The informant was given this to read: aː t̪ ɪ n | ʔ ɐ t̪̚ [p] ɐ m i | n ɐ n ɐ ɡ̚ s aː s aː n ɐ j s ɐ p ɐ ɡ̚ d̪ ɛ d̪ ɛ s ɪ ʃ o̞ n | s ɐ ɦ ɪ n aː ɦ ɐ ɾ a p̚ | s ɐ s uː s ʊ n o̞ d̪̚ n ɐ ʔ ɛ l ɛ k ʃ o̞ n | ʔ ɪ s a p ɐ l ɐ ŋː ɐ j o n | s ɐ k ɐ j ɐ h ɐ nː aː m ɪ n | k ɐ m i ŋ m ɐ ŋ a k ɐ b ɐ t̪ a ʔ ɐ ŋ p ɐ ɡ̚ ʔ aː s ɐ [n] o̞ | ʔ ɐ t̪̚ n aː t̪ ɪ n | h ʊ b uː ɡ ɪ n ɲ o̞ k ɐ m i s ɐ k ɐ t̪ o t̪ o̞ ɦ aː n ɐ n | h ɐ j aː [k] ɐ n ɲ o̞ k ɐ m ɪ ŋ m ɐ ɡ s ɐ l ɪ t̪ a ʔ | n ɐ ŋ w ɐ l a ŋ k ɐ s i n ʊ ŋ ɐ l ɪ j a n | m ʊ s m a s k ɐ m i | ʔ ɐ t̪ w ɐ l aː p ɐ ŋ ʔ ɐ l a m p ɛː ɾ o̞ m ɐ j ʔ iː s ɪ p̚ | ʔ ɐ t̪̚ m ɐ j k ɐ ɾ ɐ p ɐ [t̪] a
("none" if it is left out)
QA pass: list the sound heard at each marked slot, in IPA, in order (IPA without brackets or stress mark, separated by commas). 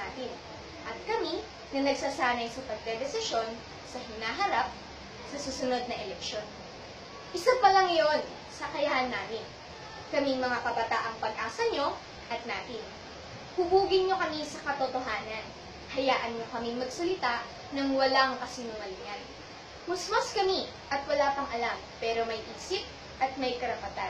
k, ɲ, ʔ, t̪